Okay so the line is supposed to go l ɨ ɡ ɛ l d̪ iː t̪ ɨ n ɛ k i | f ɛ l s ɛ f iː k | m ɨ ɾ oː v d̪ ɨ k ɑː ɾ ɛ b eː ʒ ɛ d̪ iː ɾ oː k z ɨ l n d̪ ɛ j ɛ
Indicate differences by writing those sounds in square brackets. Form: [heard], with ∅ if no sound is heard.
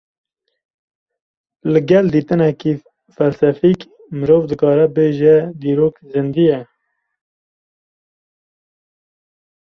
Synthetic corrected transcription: l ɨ ɡ ɛ l d̪ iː t̪ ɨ n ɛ k i | f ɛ l s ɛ f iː k | m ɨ ɾ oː v d̪ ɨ k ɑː ɾ ɛ b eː ʒ ɛ d̪ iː ɾ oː k z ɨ [∅] n d̪ [i] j ɛ